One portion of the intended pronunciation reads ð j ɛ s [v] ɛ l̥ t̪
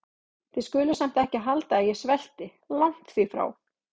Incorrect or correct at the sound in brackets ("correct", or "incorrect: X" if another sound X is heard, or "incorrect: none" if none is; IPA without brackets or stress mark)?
correct